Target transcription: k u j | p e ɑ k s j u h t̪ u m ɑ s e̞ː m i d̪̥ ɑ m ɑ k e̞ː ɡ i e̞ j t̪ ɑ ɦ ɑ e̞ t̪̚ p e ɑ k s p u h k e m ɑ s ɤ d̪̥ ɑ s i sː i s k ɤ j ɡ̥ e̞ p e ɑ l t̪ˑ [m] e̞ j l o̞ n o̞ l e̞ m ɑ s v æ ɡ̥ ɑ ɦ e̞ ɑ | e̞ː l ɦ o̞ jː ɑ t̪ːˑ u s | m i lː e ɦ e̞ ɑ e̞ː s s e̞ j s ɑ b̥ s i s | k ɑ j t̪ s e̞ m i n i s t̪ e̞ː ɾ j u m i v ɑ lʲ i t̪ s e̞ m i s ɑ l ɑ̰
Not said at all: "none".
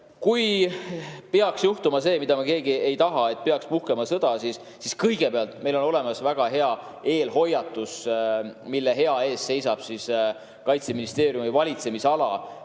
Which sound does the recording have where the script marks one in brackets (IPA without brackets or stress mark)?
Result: m